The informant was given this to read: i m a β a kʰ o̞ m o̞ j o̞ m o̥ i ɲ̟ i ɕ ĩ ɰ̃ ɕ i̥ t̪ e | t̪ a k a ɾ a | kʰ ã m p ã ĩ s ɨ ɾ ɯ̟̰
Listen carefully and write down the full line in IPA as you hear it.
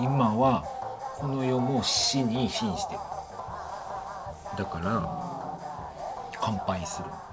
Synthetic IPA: i m a β a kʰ o̞ n o̞ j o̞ m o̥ i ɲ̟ i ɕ ĩ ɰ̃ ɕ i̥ t̪ e | d̪ a k a ɾ a | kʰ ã m p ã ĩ s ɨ ɾ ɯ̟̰